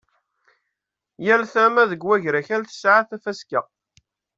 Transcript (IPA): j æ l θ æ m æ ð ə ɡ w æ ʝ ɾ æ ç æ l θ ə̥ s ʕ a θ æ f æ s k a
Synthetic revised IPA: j æ l θ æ m æ ð ə ɡ w æ ʝ ɾ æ ç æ l θ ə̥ s ʕ a θ æ f æ s k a